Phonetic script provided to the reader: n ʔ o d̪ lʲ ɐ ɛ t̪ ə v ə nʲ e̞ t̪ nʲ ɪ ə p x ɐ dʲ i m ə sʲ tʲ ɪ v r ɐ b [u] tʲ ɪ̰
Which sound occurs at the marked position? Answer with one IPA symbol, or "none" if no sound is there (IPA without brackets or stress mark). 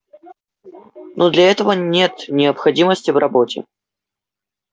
o